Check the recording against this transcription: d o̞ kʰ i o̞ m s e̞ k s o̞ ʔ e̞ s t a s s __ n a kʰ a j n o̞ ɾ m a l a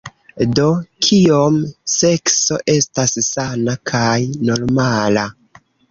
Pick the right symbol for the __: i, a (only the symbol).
a